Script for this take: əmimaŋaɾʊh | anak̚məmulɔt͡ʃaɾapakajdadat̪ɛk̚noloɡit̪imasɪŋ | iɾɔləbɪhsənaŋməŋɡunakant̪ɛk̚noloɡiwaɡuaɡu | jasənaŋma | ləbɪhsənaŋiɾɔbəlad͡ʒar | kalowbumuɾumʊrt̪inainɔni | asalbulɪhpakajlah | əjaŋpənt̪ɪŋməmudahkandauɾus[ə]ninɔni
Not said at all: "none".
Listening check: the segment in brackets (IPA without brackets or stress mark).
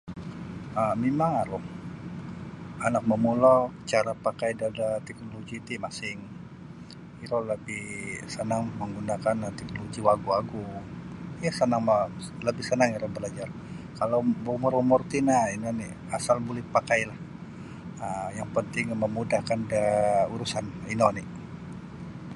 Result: a